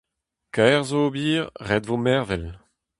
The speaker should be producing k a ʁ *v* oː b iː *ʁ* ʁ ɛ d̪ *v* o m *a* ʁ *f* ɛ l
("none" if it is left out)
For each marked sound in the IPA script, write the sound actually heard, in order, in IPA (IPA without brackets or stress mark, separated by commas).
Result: z, ʁ, v, ɛ, v